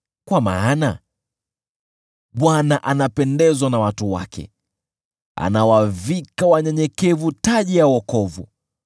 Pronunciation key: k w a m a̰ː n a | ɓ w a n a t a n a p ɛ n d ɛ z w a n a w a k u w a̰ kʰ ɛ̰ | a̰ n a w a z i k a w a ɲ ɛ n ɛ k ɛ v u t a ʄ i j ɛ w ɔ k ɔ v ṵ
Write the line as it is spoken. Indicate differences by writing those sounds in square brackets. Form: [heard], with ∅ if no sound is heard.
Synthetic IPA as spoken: k w a m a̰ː n a | ɓ w a n a [ʔ] a n a p ɛ n d ɛ z w a n a w a [t] u w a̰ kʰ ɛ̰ | a̰ n a w a [v] i k a w a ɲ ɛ [ɲ] ɛ k ɛ v u t a ʄ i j [a] w ɔ k ɔ v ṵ